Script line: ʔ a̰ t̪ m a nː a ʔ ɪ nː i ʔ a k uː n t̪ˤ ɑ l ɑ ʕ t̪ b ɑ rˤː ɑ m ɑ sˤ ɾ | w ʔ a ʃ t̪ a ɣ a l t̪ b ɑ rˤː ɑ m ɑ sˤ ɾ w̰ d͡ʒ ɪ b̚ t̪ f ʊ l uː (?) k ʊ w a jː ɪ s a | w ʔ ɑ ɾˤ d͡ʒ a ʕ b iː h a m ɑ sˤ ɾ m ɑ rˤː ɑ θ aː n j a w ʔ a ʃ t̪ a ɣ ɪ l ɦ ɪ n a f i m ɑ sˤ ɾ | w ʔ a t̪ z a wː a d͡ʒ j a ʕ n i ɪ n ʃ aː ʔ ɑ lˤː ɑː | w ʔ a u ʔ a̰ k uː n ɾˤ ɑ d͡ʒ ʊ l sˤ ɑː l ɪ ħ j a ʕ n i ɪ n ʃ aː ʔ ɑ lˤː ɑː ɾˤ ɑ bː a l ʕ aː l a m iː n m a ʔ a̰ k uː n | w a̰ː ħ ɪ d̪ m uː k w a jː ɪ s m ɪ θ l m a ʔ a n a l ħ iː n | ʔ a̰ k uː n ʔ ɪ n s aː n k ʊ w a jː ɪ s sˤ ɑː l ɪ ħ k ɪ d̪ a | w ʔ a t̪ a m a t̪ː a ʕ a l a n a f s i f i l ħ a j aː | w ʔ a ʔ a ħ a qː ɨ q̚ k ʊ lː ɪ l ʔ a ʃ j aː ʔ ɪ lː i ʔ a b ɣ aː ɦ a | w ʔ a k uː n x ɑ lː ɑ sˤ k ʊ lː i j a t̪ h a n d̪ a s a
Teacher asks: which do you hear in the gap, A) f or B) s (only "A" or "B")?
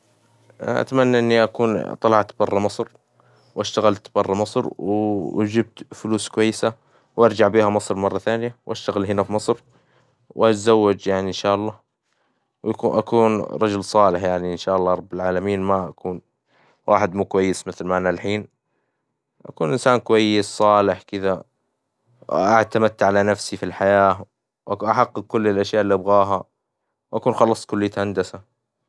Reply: B